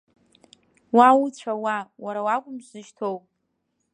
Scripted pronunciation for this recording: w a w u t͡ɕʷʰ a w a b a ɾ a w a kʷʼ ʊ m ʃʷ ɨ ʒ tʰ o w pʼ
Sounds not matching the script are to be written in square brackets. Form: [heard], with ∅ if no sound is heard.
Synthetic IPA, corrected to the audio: w a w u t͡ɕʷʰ a w a [w] a ɾ a w a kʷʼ ʊ m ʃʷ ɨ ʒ tʰ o w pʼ